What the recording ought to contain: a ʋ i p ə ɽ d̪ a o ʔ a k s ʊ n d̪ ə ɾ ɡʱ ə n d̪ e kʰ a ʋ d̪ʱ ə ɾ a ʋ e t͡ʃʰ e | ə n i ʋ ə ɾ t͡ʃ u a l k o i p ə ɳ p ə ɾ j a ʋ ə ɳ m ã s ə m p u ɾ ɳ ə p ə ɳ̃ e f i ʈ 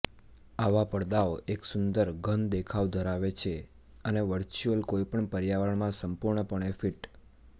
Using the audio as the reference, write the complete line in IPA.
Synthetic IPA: a ʋ a p ə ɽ d̪ a o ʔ e k s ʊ n d̪ ə ɾ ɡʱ ə n d̪ e kʰ a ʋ d̪ʱ ə ɾ a ʋ e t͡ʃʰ e | ə n e ʋ ə ɾ t͡ʃ u ə l k o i p ə ɳ p ə ɾ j a ʋ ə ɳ m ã s ə m p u ɾ ɳ ə p ə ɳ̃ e f i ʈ